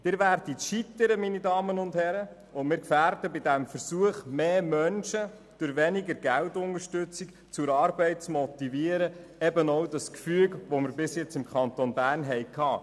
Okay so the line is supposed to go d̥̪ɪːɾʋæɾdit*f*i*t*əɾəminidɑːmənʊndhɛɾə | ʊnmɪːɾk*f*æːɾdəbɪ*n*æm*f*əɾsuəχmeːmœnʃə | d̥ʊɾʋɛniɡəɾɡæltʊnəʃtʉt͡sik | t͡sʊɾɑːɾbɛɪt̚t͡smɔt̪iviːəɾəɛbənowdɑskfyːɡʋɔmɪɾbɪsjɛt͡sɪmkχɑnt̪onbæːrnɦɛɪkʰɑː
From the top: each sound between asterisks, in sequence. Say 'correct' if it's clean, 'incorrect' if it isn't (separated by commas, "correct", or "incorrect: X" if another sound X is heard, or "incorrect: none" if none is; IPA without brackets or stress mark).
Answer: incorrect: ʃ, correct, correct, incorrect: d, correct